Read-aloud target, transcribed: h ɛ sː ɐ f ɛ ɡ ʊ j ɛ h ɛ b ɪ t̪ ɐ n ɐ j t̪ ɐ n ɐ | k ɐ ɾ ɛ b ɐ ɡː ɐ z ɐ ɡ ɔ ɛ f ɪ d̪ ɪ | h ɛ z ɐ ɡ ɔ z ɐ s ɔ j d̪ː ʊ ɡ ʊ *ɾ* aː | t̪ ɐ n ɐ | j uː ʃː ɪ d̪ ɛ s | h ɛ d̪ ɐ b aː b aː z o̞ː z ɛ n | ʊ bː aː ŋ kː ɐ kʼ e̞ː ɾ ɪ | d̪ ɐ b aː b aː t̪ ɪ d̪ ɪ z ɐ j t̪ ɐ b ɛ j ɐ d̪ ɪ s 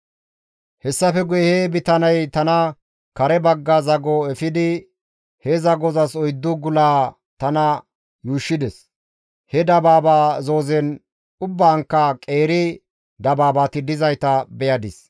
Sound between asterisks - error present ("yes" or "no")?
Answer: yes